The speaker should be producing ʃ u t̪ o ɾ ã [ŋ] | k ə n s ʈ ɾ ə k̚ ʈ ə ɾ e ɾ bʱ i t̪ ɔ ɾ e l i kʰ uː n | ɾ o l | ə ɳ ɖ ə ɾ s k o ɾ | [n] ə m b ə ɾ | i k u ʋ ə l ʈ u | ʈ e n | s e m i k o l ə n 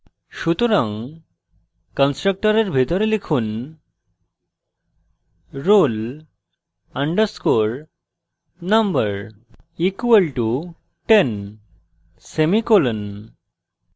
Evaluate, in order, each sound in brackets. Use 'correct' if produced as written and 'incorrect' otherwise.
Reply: correct, correct

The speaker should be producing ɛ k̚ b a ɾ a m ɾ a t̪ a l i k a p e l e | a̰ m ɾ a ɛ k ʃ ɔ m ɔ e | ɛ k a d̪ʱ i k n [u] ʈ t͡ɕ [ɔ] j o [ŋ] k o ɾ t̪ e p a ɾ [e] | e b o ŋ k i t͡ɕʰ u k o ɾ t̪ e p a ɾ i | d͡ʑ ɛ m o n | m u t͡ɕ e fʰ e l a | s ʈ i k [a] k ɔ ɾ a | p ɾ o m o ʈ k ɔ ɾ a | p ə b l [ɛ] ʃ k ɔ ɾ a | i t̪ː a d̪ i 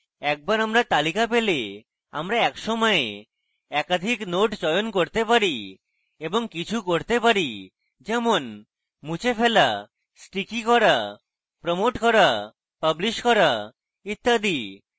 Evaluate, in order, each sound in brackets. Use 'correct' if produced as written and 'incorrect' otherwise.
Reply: incorrect, correct, incorrect, incorrect, incorrect, incorrect

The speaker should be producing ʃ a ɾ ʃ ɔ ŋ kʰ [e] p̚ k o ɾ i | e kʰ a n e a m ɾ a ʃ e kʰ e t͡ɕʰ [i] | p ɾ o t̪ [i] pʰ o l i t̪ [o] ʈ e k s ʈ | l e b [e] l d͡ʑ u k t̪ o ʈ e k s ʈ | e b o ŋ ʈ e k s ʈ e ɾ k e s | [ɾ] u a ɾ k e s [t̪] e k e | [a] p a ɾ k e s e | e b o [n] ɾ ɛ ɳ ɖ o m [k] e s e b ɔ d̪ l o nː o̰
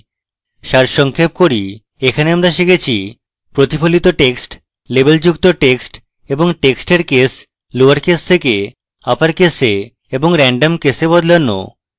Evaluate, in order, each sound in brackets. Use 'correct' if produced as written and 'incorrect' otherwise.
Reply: correct, correct, correct, correct, correct, incorrect, incorrect, correct, incorrect, correct

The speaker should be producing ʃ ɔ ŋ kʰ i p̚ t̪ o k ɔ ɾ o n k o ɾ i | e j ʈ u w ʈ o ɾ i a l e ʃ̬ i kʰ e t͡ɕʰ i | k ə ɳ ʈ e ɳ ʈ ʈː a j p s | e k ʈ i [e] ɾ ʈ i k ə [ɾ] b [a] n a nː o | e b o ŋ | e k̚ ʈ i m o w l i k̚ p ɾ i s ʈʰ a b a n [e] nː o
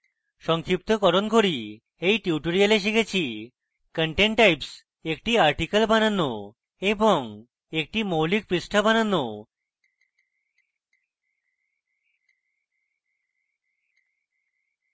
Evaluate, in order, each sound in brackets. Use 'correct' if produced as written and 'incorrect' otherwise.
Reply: incorrect, incorrect, correct, incorrect

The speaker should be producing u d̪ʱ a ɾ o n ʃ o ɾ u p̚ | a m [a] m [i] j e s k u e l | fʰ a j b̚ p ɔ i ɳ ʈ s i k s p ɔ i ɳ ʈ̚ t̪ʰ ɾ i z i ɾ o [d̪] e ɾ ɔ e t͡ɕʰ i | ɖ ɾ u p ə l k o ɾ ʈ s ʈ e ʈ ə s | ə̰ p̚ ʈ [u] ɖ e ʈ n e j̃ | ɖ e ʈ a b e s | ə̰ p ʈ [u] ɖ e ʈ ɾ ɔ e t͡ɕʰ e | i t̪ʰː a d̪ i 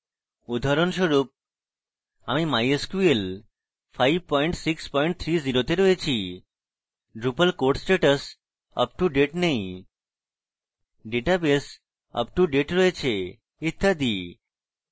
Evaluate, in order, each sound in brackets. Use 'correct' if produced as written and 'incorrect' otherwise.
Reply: incorrect, incorrect, incorrect, correct, correct

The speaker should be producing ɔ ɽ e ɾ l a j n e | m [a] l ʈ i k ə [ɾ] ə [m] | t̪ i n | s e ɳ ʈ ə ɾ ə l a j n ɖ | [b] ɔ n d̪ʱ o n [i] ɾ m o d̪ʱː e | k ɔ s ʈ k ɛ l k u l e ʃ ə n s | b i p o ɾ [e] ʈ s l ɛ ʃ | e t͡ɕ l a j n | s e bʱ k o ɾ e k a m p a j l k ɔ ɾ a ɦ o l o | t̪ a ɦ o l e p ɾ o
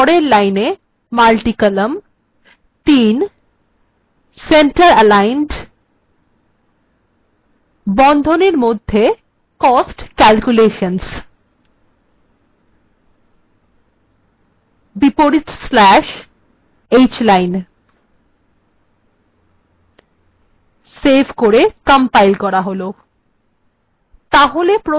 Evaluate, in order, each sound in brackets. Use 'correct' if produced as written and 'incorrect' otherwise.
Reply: correct, incorrect, correct, correct, incorrect, incorrect

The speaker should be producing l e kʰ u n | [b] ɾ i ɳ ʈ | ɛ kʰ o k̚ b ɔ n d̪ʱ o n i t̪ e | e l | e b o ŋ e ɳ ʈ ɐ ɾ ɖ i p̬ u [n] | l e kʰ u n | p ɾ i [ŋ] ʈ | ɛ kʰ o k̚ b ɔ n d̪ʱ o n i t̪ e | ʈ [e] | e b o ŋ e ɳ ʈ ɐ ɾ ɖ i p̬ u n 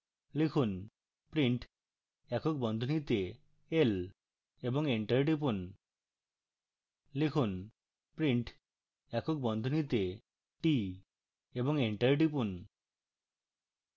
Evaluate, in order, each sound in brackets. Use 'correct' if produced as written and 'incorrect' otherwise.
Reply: incorrect, correct, incorrect, incorrect

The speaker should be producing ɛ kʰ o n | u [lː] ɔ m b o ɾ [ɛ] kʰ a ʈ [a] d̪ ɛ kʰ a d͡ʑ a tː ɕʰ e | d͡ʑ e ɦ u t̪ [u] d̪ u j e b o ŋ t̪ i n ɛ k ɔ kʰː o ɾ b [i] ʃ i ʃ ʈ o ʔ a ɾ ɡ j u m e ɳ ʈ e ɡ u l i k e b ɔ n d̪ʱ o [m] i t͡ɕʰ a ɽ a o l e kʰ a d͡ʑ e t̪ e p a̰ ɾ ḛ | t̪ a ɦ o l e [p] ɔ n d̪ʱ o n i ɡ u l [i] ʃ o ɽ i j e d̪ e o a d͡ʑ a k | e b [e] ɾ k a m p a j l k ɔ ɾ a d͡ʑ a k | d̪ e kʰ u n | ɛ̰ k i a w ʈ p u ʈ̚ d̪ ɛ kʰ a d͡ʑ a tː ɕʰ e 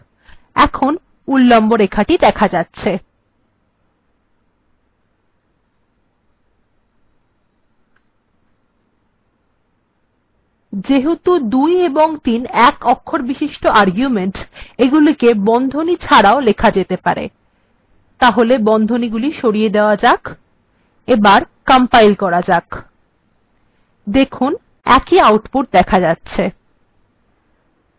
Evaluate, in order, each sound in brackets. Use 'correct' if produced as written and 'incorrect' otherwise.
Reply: correct, incorrect, incorrect, correct, correct, incorrect, incorrect, correct, incorrect

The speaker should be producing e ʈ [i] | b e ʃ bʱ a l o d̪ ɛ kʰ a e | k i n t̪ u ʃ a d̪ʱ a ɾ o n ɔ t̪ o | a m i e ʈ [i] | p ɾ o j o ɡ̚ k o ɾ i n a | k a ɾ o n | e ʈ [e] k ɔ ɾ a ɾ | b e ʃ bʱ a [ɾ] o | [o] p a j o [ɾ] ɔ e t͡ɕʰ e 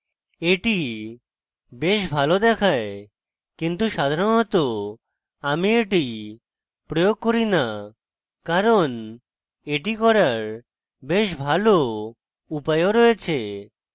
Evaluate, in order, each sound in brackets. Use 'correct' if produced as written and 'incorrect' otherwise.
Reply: correct, correct, incorrect, incorrect, incorrect, correct

